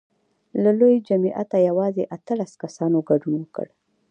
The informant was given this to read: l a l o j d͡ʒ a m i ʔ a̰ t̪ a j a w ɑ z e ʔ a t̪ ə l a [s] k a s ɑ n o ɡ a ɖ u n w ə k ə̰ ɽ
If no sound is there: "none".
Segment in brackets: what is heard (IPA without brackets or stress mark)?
s